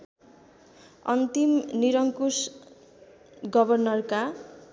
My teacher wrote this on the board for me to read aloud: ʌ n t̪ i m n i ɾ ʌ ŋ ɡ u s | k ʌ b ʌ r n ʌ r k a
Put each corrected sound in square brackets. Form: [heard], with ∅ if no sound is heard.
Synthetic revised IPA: ʌ n t̪ i m n i ɾ ʌ ŋ [k] u s | [ɡ] ʌ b ʌ r n ʌ r k a